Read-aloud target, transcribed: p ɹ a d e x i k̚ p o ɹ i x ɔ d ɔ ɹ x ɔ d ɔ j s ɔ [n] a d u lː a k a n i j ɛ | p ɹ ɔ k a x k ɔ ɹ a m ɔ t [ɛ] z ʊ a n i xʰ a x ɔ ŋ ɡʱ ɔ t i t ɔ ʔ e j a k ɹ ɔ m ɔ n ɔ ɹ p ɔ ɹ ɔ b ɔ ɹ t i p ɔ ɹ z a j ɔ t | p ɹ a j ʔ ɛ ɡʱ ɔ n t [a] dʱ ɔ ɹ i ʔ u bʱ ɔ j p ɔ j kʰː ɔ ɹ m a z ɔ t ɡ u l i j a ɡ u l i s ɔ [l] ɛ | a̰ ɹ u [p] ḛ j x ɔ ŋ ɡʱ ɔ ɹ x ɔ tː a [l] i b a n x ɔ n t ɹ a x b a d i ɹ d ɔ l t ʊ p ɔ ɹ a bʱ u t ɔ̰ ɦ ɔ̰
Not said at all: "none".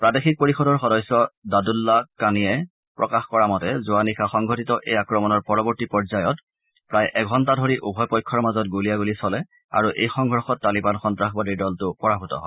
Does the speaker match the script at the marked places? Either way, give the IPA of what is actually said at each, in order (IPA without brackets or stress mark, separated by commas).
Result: d, ɛ, a, l, ʔ, l